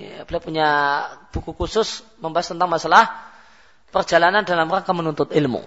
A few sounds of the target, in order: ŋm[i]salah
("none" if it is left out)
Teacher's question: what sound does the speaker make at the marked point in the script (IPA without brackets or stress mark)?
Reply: a